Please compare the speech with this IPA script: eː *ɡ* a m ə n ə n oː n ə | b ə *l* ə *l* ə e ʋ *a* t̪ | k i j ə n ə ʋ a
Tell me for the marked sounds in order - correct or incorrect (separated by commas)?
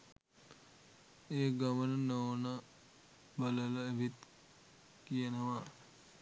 correct, correct, correct, incorrect